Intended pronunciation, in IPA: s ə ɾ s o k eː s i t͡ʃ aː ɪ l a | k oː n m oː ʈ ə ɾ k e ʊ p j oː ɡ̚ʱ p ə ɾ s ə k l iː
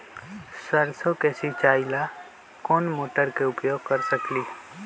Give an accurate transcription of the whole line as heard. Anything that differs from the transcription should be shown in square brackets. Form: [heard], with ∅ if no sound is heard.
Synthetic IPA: s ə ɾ s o k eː s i t͡ʃ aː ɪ l a | k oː n m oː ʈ ə ɾ k e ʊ p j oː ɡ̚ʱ [k] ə ɾ s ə k l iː